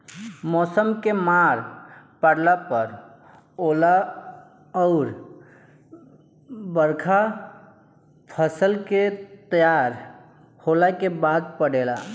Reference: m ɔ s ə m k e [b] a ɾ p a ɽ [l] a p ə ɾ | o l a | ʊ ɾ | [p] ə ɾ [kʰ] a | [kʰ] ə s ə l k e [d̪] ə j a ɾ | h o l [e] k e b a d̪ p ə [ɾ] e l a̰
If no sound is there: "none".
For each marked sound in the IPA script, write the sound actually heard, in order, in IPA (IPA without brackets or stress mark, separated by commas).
m, l, b, kʰ, pʰ, t̪, a, ɽ